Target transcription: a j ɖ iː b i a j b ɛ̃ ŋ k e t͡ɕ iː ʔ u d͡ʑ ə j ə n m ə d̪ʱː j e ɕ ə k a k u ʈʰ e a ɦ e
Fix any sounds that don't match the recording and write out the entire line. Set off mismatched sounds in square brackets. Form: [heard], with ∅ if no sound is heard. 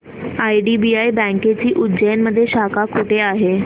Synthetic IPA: a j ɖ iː b i a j b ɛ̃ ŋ k e t͡ɕ iː ʔ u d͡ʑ ə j ə n m ə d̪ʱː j e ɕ [a] k a k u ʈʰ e a ɦ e